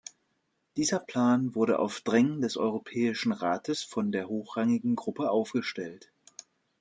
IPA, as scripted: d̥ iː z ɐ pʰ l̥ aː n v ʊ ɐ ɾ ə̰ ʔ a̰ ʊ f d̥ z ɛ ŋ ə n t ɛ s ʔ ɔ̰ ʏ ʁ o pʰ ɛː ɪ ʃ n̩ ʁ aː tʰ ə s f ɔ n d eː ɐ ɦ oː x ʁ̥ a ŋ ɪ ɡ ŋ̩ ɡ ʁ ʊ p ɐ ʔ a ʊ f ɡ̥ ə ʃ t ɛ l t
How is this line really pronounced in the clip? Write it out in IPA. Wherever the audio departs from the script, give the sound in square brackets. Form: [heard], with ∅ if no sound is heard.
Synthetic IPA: d̥ iː z ɐ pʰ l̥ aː n v ʊ ɐ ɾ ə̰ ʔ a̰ ʊ f d̥ [ʁ] ɛ ŋ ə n [d] ɛ s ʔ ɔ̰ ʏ ʁ o pʰ ɛː ɪ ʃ n̩ ʁ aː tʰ ə s f ɔ n d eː ɐ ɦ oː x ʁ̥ a ŋ ɪ ɡ ŋ̩ ɡ ʁ ʊ p [ə] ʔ a ʊ f ɡ̥ ə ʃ t ɛ l t